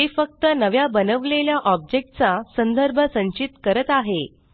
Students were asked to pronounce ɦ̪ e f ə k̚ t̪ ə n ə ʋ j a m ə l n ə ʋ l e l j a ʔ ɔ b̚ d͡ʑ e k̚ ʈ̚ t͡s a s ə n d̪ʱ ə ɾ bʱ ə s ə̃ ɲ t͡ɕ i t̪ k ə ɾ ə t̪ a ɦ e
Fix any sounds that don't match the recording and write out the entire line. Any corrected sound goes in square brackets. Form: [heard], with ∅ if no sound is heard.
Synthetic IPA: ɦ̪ e f ə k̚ t̪ ə n ə ʋ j a [b] ə [∅] n ə ʋ l e l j a ʔ ɔ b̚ d͡ʑ e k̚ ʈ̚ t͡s a s ə n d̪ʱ ə ɾ bʱ ə s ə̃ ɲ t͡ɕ i t̪ k ə ɾ ə t̪ a ɦ e